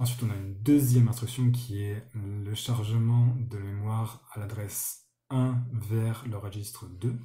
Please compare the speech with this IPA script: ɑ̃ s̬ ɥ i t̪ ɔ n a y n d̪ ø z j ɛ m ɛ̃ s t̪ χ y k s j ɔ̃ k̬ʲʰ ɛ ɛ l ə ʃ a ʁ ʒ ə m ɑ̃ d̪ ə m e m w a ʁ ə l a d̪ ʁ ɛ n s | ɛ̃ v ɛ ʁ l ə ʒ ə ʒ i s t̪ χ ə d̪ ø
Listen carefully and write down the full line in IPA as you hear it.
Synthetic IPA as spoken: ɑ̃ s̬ ɥ i t̪ ɔ̃ n a y n d̪ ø z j ɛ m ɛ̃ s t̪ χ y k s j ɔ̃ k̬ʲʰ i ɛ l ə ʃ a ʁ ʒ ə m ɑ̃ d̪ ə m e m w a ʁ a l a d̪ ʁ ɛ s | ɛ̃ v ɛ ʁ l ə ʁ ə ʒ i s t̪ χ ə d̪ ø